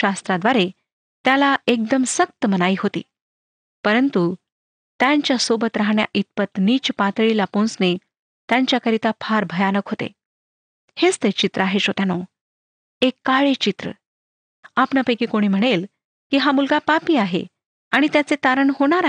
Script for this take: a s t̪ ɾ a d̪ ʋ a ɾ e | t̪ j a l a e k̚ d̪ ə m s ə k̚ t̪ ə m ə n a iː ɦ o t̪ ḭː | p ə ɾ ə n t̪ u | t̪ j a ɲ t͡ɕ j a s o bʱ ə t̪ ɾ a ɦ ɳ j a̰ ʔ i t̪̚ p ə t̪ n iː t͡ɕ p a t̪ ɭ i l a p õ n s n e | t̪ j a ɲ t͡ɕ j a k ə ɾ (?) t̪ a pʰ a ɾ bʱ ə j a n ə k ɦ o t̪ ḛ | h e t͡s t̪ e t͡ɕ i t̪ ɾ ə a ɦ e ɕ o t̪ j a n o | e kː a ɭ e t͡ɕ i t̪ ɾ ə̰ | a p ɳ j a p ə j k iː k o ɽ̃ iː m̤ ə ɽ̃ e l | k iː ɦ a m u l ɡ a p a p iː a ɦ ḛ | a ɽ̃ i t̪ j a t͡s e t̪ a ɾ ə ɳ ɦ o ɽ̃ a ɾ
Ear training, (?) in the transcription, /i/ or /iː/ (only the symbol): i